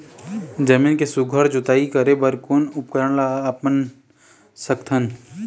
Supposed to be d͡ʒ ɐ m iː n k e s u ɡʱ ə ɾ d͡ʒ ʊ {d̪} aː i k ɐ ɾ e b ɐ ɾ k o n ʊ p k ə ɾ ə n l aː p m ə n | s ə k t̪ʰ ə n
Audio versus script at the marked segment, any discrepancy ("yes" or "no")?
yes